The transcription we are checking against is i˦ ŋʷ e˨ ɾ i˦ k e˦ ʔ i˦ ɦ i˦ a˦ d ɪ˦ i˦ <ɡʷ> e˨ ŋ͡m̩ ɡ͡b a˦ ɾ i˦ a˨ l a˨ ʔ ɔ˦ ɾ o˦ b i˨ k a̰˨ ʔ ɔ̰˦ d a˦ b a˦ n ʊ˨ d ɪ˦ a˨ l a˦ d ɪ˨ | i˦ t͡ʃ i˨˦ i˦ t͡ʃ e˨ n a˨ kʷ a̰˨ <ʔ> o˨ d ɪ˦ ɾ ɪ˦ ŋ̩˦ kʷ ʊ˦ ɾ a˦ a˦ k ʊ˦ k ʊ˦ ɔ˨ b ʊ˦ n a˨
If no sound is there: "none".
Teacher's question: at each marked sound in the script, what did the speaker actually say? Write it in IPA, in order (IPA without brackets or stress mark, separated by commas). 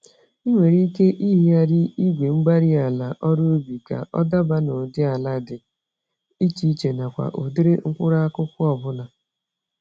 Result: ɡʷ, ʔ